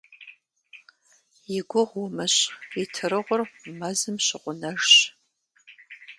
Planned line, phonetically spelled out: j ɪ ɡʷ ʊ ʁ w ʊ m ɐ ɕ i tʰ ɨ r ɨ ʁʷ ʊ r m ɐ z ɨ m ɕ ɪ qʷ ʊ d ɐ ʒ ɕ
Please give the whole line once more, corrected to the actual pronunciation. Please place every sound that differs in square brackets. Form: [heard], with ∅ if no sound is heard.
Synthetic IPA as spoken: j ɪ ɡʷ ʊ ʁ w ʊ m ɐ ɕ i tʰ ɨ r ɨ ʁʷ ʊ r m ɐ z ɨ m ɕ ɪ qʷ ʊ [n] ɐ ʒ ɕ